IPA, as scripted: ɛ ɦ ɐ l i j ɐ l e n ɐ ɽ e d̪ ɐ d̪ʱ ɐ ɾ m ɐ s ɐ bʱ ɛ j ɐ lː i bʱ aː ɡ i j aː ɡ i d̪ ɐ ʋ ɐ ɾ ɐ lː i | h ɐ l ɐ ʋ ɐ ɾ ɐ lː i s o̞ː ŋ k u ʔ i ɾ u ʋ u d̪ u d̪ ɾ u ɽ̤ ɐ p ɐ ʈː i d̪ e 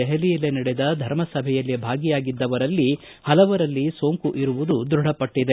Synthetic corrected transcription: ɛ ɦ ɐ l i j ɐ l e n ɐ ɽ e d̪ ɐ d̪ʱ ɐ ɾ m ɐ s ɐ bʱ ɛ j ɐ lː i bʱ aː ɡ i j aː ɡ i d̪ː ɐ ʋ ɐ ɾ ɐ lː i | h ɐ l ɐ ʋ ɐ ɾ ɐ lː i s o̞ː ŋ k u ʔ i ɾ u ʋ u d̪ u d̪ ɾ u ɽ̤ ɐ p ɐ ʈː i d̪ e